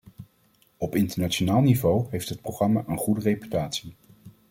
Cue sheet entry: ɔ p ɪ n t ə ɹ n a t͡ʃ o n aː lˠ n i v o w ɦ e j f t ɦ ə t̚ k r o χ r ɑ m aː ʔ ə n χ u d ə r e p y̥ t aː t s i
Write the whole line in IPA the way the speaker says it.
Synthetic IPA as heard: ɔ p ɪ n t ə ɹ n a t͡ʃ o n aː lˠ n i v o w ɦ e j f t ɦ ə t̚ p r o χ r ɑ m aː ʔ ə n χ u d ə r e p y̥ t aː t s i